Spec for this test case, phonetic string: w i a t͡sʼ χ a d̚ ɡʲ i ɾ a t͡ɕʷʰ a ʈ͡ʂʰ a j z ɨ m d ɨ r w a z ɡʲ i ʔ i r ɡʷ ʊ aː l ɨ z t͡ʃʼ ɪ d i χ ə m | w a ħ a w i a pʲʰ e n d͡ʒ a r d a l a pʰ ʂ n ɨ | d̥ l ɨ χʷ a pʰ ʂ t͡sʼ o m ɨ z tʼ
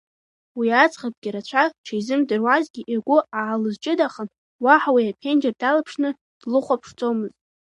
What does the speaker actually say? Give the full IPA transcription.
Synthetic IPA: w i a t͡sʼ χ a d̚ ɡʲ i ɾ a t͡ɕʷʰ a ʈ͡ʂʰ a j z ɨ m d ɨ r w a z ɡʲ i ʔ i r ɡʷ ʊ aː l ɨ z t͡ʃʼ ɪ d a χ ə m | w a ħ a w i a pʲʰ e n d͡ʒ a r d a l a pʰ ʂ n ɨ | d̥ l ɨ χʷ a pʰ ʂ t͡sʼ o m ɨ z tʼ

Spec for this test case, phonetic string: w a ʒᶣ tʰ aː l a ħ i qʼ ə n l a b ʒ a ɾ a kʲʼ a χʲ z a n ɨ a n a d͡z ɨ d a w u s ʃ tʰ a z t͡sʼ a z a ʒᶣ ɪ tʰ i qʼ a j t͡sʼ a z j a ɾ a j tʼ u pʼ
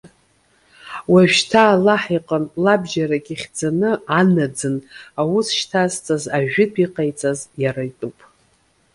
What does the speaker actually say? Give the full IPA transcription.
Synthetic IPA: w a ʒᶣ tʰ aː l a ħ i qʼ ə n l a b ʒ a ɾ a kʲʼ i χʲ d͡z a n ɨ a n a d͡z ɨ n a w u s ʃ tʰ a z t͡sʼ a z a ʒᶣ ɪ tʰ i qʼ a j t͡sʼ a z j a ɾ a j tʼ u pʼ

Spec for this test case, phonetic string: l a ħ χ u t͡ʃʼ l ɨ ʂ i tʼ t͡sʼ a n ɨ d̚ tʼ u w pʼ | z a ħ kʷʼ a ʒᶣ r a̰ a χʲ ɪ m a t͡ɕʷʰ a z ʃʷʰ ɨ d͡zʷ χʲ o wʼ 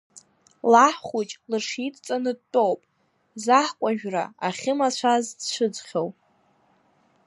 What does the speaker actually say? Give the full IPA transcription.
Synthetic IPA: l a ħ χ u t͡ʃʼ l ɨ ʂ i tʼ t͡sʼ a n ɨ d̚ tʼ o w pʼ | z a ħ kʷʼ a ʒᶣ r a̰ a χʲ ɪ m a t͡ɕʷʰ a z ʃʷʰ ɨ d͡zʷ χʲ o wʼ

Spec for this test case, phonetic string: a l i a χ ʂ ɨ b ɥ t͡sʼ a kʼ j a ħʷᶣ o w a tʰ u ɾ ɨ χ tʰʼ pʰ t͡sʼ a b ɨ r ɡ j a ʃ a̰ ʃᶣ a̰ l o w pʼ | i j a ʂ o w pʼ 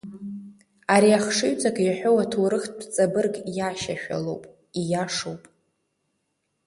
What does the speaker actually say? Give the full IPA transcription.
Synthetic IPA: a ɾ i a χ ʂ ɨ ɥ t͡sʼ a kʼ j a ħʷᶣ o w a tʰ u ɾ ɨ χ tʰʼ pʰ t͡sʼ a b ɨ r ɡ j a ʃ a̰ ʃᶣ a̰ l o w pʼ | i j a ʂ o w pʼ

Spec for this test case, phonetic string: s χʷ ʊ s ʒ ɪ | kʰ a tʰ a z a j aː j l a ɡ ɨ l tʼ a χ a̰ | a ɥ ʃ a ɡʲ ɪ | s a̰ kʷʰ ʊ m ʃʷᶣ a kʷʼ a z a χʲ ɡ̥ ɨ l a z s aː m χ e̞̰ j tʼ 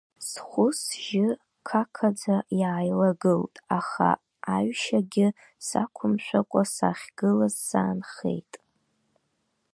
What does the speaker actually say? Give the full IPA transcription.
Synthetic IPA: s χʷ ʊ s ʒ ɪ | kʰ a kʰ a d͡z a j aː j l a ɡ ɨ l tʼ a χ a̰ | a ɥ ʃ a ɡʲ ɪ | s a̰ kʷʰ ʊ m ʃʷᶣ a kʷʼ a s a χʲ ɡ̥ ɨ l a z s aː n χ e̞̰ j tʼ

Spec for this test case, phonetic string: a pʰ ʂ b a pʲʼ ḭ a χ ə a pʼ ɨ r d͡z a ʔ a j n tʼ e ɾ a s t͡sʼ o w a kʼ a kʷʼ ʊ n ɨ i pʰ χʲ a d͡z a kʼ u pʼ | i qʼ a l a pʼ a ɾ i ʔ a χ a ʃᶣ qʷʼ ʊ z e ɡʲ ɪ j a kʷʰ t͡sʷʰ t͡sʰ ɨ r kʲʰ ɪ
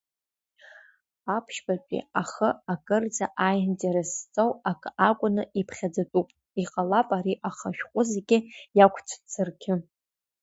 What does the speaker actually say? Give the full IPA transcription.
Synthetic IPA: a pʰ ʃ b a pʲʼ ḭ a χ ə a kʼ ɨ r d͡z a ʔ a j n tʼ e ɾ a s t͡sʼ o w a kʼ a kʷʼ ʊ n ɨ i pʰ χʲ a d͡z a tʼ u pʼ | i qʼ a l a pʼ a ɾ i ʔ a χ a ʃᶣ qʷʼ ʊ z e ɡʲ ɪ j a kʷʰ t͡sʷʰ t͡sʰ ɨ r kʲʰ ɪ

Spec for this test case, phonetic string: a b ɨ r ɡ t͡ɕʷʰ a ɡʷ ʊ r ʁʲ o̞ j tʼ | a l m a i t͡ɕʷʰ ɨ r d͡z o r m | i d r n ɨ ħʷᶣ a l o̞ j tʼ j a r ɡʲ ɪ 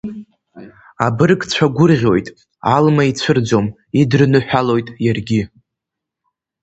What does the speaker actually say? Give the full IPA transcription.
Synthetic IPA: a b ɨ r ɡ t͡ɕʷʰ a ɡʷ ʊ r ʁʲ o̞ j tʼ | a l m a i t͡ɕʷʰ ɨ r d͡z o m | i d r n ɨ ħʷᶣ a l o̞ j tʼ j a r ɡʲ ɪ

